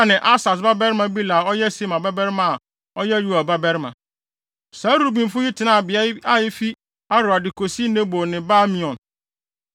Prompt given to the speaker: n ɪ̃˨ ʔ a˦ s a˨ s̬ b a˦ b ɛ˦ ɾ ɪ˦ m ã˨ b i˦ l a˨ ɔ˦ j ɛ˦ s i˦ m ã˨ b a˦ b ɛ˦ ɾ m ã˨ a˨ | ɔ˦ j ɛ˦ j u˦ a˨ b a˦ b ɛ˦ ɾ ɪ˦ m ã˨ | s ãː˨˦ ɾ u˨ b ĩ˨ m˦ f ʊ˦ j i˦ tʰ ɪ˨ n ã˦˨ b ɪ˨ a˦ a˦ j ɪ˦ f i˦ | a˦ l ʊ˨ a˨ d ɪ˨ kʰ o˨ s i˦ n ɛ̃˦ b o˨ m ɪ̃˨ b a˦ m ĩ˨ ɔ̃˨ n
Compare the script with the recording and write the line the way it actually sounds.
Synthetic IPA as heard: n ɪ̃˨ ʔ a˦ s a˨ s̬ b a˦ b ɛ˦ ɾ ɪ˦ m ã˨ b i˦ l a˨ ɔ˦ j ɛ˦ s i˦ m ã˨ b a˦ b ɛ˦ ɾ m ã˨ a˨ | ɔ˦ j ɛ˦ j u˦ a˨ b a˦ b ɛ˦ ɾ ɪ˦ m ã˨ | s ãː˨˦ ɾ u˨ b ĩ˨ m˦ f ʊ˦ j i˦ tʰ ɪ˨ n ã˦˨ b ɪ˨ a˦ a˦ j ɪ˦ f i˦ | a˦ ɾ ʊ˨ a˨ d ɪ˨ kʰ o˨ s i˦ n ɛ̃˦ b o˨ n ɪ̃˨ b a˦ m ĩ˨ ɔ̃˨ n